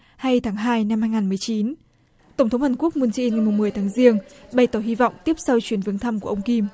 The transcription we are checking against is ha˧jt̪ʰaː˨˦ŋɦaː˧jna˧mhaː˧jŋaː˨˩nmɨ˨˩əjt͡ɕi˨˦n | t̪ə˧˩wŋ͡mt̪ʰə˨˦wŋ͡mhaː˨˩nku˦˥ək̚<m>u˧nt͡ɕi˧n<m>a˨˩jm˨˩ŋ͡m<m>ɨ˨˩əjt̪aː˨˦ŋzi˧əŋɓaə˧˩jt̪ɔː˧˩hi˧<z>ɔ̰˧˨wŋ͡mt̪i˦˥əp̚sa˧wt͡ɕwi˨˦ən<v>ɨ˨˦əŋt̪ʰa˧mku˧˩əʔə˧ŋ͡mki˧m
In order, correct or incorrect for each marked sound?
correct, incorrect, correct, incorrect, correct

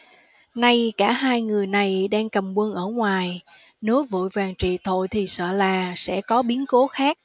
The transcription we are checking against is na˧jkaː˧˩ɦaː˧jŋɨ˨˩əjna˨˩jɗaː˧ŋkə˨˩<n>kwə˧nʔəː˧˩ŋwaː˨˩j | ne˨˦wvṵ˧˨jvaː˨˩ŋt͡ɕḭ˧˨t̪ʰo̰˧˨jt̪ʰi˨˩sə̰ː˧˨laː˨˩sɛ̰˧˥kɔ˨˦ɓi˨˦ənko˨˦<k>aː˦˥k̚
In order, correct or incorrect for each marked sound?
incorrect, incorrect

